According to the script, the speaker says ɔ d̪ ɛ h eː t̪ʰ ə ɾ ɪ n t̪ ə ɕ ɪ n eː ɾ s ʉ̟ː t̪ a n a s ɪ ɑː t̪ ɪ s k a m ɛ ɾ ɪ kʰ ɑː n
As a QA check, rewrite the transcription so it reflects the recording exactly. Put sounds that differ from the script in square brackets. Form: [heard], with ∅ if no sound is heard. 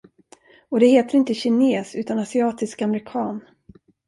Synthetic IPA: ɔ d̪ ɛ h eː [t̪] ə ɾ ɪ n t̪ ə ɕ ɪ n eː [∅] s ʉ̟ː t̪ a n a s ɪ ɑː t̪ ɪ s k a m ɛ ɾ ɪ kʰ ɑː n

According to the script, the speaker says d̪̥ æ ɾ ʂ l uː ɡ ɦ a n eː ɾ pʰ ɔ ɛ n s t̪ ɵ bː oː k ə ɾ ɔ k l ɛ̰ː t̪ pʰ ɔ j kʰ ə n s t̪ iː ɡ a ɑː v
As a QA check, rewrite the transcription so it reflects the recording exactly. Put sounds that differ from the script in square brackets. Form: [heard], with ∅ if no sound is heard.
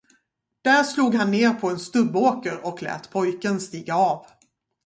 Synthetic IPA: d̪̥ æ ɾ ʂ l uː ɡ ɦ a [nː] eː ɾ pʰ ɔ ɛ n s t̪ ɵ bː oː k ə ɾ ɔ k l ɛ̰ː t̪ pʰ ɔ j [k] ə n s t̪ iː ɡ a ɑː v

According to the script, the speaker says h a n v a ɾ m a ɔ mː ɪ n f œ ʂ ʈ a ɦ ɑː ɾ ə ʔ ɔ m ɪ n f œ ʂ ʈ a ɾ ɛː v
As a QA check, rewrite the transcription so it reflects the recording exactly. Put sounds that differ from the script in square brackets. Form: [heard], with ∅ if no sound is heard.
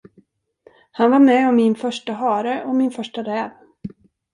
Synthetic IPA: h a n v a ɾ m [ɛ] ɔ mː ɪ n f œ ʂ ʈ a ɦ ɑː ɾ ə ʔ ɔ m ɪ n f œ ʂ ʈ a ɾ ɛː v

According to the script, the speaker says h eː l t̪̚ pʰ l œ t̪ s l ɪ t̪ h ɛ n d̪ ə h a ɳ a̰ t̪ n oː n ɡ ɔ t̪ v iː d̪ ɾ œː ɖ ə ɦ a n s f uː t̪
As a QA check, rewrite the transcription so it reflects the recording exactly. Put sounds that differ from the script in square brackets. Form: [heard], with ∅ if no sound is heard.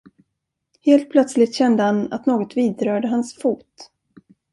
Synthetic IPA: h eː l t̪̚ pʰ l œ t̪ s l ɪ t̪ [ɕ] ɛ n d̪ ə h a [n] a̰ t̪ n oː [∅] ɡ ɔ t̪ v iː d̪ ɾ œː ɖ ə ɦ a n s f uː t̪

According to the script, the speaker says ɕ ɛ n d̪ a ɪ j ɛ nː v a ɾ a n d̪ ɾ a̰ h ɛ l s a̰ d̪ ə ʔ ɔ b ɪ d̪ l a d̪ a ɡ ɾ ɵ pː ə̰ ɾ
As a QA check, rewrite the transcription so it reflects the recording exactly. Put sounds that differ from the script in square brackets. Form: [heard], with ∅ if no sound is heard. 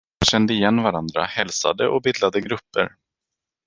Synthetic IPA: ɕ ɛ n d̪ [ə] ɪ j ɛ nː v a ɾ a n d̪ ɾ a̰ h ɛ l s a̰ d̪ ə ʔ ɔ b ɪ d̪ l a d̪ [ə] ɡ ɾ ɵ pː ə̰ ɾ

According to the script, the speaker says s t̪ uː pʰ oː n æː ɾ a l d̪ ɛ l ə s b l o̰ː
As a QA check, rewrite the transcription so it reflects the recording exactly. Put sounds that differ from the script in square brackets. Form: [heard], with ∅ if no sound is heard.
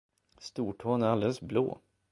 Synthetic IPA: s t̪ uː [ʈʰ] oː n [æ] ɾ a l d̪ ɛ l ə s b l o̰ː

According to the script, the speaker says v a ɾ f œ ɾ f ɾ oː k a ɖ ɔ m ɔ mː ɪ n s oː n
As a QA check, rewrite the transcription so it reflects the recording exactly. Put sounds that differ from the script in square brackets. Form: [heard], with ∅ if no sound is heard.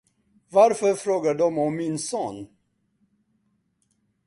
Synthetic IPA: v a ɾ f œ ɾ f ɾ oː [ɡ] a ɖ ɔ m ɔ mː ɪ n s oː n

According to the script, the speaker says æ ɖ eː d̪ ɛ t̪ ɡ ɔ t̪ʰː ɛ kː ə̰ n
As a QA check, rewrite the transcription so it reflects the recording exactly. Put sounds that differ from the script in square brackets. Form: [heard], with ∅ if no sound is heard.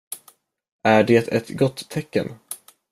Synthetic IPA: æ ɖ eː [t̪] ɛ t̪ ɡ ɔ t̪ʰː ɛ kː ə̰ n

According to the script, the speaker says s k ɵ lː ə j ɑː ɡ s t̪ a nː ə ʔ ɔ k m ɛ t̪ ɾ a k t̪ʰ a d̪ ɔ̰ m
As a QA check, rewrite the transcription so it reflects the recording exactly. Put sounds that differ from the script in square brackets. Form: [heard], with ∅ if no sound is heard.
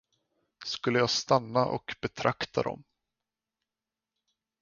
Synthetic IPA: s k ɵ lː ə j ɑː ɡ s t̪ a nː [a] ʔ ɔ k [b] ɛ [t̪ʰ] ɾ a k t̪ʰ a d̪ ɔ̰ m

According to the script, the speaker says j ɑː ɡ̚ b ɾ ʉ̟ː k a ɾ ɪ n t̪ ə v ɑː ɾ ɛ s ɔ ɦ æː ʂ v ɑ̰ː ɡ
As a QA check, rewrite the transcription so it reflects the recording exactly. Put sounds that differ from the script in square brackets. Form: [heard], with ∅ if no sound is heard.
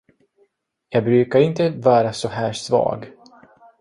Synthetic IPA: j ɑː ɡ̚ b ɾ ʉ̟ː k a ɾ ɪ n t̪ ə v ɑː ɾ [a] s ɔ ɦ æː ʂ v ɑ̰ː ɡ

